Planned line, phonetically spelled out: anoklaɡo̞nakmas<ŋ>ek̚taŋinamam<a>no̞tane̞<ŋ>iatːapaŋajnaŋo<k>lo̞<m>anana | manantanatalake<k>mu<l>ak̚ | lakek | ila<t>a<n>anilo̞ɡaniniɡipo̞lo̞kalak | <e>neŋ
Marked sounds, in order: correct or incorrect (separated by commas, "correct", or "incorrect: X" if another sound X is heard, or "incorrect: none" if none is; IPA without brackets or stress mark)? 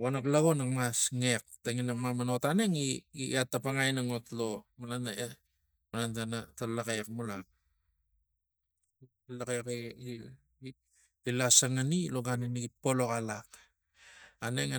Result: correct, correct, correct, incorrect: t, correct, correct, correct, incorrect: s, incorrect: ŋ, incorrect: a